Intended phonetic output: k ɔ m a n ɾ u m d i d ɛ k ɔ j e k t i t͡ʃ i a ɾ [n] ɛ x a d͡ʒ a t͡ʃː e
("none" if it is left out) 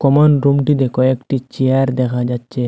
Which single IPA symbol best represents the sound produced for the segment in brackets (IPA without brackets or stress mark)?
d